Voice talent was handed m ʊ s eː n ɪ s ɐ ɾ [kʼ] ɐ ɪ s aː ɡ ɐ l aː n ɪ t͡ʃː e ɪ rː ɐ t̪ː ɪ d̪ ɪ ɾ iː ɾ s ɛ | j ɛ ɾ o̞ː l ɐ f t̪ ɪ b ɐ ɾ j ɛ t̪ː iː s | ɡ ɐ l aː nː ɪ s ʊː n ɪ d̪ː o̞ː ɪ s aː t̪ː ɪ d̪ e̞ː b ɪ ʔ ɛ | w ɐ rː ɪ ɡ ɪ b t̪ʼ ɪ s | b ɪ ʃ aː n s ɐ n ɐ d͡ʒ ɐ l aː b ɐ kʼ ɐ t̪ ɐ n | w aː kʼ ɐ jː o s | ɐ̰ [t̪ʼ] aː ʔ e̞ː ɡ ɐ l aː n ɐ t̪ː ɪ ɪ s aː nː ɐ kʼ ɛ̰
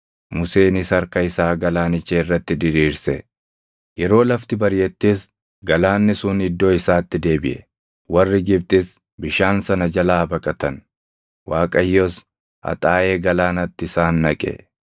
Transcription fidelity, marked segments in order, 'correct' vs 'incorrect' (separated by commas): incorrect, correct